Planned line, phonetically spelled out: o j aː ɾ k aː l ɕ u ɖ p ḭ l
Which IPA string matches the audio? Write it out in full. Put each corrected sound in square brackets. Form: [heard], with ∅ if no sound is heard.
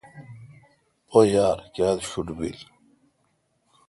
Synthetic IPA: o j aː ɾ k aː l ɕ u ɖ [b] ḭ l